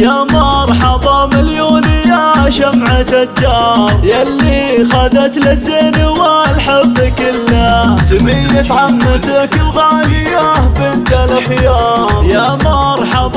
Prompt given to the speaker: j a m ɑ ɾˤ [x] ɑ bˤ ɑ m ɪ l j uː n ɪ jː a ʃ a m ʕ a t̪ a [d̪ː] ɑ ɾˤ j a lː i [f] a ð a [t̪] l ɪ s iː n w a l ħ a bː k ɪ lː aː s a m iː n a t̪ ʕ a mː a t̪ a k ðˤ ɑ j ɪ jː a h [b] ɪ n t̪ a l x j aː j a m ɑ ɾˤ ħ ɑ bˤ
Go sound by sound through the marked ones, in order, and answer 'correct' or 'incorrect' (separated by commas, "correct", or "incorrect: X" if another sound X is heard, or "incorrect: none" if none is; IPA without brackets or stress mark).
incorrect: ħ, correct, incorrect: x, correct, correct